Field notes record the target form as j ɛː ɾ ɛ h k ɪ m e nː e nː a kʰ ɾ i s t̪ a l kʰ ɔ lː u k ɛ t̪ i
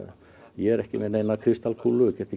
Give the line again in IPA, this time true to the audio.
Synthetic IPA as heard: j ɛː ɾ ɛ h k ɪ m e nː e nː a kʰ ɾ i s t̪ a l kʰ u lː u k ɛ t̪ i